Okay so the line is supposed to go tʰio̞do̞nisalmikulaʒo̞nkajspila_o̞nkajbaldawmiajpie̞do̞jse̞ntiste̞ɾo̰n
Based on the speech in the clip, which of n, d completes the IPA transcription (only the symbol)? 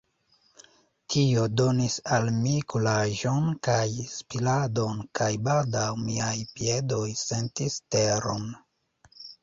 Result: d